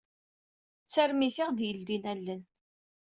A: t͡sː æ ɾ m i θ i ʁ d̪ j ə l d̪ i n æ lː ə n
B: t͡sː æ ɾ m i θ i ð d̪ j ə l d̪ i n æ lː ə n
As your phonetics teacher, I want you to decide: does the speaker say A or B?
A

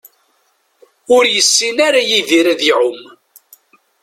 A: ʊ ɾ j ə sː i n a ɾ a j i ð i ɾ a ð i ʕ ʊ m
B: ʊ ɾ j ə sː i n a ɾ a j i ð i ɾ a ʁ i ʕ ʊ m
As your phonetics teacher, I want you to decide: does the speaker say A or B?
A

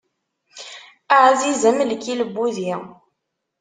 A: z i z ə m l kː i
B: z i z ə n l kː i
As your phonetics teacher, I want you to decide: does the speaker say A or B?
A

